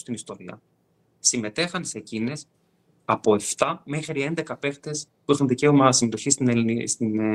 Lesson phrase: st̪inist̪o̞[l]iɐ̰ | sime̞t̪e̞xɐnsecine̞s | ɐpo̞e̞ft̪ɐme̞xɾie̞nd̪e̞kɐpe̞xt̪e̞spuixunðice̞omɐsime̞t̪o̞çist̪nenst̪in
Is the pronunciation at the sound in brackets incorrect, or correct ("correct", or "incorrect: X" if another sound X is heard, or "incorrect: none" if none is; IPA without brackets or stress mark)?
incorrect: ɾ